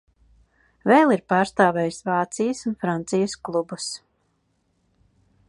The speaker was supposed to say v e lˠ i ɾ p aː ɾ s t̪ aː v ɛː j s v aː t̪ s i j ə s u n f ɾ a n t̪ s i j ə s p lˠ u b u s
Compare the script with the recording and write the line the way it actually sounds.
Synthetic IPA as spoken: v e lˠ i ɾ p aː ɾ s t̪ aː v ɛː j s v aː t̪ s i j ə s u n f ɾ a n t̪ s i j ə s k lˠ u b u s